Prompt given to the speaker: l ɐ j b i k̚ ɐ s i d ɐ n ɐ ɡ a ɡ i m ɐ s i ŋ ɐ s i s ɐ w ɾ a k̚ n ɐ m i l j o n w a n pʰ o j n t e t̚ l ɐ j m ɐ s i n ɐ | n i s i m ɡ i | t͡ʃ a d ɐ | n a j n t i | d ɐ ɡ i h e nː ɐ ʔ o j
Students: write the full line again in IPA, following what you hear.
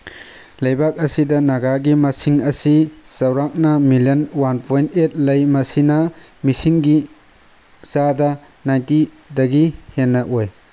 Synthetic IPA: l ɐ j b a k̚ ɐ s i d ɐ n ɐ ɡ a ɡ i m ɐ s i ŋ ɐ s i s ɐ w ɾ a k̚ n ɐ m i l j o n w a n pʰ o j n t e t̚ l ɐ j m ɐ s i n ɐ | m i s i ŋ ɡ i | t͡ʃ a d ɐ | n a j n t i | d ɐ ɡ i h e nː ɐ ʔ o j

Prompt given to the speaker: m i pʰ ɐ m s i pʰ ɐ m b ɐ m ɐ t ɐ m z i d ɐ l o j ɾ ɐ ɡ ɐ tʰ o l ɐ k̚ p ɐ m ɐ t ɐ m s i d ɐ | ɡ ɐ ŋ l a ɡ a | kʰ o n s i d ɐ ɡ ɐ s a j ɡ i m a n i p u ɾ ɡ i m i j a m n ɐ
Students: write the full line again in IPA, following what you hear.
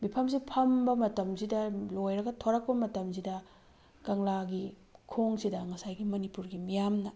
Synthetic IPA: m i pʰ ɐ m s i pʰ ɐ m b ɐ m ɐ t ɐ m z i d ɐ l o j ɾ ɐ ɡ ɐ tʰ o ɾ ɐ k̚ p ɐ m ɐ t ɐ m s i d ɐ | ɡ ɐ ŋ l a ɡ i | kʰ o ŋ s i d ɐ ŋ ɐ s a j ɡ i m ɐ n i p u ɾ ɡ i m i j a m n ɐ

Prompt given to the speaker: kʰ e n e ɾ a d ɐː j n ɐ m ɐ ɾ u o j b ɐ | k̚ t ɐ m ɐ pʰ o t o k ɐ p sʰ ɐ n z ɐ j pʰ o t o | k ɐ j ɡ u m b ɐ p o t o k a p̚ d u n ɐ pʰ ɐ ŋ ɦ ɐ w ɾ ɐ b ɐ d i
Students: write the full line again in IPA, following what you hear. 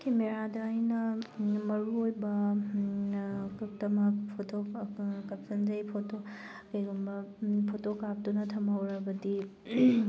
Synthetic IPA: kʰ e m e ɾ a d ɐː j n ɐ m ɐ ɾ u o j b ɐ | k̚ t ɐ m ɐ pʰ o t o k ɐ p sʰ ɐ n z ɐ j pʰ o t o | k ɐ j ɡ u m b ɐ pʰ o t o k a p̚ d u n ɐ tʰ ɐ m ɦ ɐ w ɾ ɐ b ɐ d i

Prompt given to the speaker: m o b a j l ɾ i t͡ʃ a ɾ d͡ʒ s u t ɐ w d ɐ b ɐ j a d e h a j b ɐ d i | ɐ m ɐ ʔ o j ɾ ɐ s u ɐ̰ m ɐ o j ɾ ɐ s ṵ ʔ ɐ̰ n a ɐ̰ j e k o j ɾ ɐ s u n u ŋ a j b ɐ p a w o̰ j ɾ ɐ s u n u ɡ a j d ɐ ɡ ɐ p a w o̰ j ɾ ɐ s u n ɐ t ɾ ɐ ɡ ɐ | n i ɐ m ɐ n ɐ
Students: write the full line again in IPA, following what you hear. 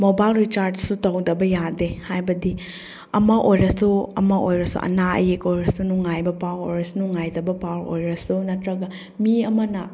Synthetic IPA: m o b a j l ɾ i t͡ʃ a ɾ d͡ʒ s u t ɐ w d ɐ b ɐ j a d e h a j b ɐ d i | ɐ m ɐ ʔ o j ɾ ɐ s u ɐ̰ m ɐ o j ɾ ɐ s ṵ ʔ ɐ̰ n a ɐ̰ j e k o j ɾ ɐ s u n u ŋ a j b ɐ p a w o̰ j ɾ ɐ s u n u ŋ a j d ɐ b ɐ p a w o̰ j ɾ ɐ s u n ɐ t ɾ ɐ ɡ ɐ | m i ɐ m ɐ n ɐ

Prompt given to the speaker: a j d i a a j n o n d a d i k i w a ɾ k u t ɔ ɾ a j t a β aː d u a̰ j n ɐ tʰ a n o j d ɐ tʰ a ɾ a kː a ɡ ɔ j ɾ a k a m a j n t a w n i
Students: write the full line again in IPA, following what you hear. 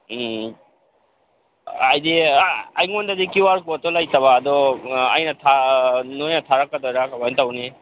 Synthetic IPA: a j d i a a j ŋ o n d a d i k i w a ɾ k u t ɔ l a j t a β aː d ɔ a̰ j n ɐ tʰ a n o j n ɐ tʰ a ɾ a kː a d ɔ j ɾ a k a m a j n t a w n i

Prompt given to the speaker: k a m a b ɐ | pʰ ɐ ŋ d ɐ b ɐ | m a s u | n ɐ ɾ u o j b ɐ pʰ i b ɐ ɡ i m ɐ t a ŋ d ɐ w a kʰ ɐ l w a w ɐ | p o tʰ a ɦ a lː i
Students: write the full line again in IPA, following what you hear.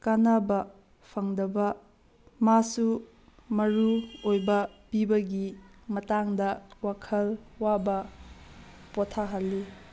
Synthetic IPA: k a n a b ɐ | pʰ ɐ ŋ d ɐ b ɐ | m a s u | m ɐ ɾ u o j b ɐ p i b ɐ ɡ i m ɐ t a ŋ d ɐ w a kʰ ɐ l w a b ɐ | p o tʰ a ɦ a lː i

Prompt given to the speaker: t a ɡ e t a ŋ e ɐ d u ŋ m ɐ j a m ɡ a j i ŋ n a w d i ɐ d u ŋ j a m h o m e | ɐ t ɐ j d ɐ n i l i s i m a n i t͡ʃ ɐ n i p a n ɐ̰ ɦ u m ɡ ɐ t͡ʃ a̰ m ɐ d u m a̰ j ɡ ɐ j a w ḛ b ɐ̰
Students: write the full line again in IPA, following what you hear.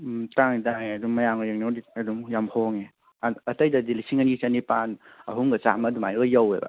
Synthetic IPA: t a ŋ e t a ŋ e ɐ d u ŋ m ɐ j a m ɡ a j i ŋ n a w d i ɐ d u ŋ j a m h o ŋ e | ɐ t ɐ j d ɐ d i l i s i ŋ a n i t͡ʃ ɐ n i p a n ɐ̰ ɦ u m ɡ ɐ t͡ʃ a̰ m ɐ d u m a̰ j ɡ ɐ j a w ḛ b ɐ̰

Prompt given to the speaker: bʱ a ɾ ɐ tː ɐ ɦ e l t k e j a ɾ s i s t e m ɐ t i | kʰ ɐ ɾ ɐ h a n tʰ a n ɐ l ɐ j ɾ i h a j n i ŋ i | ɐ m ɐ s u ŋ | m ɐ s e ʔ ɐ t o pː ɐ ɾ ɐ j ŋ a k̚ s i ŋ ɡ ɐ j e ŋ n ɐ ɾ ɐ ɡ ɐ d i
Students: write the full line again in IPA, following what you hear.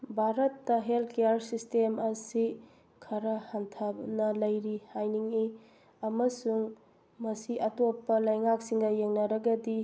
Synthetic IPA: bʱ a ɾ ɐ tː ɐ ɦ e l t k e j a ɾ s i s t e m ɐ s i | kʰ ɐ ɾ ɐ h a n tʰ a n ɐ l ɐ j ɾ i h a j n i ŋ i | ɐ m ɐ s u ŋ | m ɐ s i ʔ ɐ t o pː ɐ l ɐ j ŋ a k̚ s i ŋ ɡ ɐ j e ŋ n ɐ ɾ ɐ ɡ ɐ d i

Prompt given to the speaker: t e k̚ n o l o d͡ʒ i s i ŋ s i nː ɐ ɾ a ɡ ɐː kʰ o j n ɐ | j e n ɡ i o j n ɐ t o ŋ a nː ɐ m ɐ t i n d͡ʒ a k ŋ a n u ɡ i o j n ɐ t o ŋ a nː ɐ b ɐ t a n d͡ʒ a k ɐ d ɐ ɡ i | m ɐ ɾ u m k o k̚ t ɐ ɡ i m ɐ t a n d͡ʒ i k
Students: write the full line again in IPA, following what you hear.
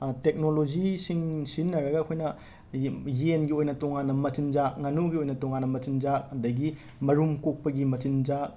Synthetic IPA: t e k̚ n o l o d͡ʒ i s i ŋ s i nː ɐ ɾ ɐ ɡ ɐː kʰ o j n ɐ | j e n ɡ i o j n ɐ t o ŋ a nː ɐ m ɐ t i n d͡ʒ a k ŋ a n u ɡ i o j n ɐ t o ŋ a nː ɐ m ɐ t i n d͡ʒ a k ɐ d ɐ ɡ i | m ɐ ɾ u m k o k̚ p ɐ ɡ i m ɐ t i n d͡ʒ a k

